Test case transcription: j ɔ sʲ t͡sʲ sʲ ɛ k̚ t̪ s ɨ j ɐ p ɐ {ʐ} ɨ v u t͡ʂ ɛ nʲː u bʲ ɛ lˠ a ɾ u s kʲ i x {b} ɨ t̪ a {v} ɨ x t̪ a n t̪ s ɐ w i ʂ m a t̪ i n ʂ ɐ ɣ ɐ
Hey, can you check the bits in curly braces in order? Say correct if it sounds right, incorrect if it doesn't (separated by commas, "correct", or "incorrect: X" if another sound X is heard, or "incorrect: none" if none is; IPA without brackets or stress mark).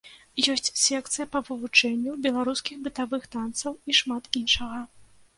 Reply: incorrect: v, correct, correct